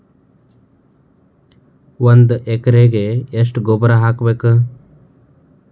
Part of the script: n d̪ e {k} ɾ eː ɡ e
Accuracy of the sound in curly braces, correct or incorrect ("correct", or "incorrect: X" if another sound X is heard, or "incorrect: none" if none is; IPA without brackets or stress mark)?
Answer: correct